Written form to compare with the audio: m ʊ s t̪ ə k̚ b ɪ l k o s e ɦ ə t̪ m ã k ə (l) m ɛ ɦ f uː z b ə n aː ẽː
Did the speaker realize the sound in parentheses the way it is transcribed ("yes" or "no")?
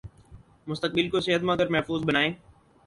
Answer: no